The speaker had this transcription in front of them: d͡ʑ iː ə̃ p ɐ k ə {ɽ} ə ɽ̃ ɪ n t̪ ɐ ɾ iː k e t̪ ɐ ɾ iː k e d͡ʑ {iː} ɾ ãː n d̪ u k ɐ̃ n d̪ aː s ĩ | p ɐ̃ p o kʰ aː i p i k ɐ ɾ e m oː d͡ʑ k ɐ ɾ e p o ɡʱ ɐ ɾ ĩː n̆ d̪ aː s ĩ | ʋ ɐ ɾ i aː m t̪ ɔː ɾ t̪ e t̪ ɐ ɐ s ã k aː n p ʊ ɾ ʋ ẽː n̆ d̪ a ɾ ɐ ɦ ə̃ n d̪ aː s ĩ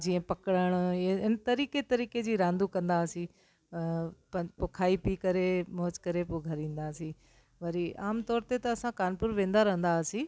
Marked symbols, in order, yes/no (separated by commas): yes, yes